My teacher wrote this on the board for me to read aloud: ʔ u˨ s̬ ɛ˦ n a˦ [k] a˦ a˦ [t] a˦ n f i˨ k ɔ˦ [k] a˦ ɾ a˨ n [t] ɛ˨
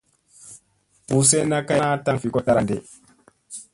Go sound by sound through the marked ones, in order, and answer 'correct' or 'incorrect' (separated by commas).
correct, correct, incorrect, incorrect